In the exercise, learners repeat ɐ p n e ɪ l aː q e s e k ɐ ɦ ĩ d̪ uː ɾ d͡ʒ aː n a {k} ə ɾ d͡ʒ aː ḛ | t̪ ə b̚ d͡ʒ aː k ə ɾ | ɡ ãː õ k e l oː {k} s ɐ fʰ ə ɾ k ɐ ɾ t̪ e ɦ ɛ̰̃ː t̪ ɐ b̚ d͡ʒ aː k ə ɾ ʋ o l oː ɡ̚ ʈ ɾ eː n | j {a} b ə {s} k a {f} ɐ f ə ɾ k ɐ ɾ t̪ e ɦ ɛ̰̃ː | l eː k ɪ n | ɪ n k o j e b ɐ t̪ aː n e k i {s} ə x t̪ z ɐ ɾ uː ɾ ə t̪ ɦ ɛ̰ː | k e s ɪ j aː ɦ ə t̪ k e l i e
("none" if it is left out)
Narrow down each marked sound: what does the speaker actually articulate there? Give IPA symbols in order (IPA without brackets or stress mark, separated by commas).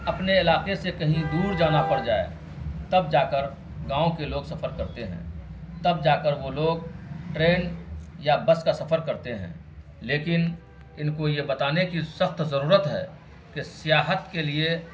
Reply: p, ɡ, a, s, s, s